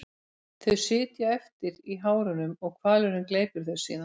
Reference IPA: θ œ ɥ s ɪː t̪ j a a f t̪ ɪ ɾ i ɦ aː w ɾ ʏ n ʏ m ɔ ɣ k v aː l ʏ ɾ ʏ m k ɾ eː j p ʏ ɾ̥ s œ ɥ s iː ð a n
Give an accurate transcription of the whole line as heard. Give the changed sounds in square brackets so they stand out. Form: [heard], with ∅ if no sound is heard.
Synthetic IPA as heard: θ œ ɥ s ɪː t̪ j a [ɛ] f t̪ ɪ ɾ i ɦ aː w ɾ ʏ n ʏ m ɔ ɣ [kʰ] v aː l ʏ ɾ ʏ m k [l] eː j p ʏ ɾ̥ [θ] œ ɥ s iː ð a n